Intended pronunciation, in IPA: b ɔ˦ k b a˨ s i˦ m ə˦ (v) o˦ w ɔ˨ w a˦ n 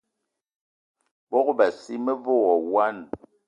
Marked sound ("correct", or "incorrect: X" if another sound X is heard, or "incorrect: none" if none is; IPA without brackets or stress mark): correct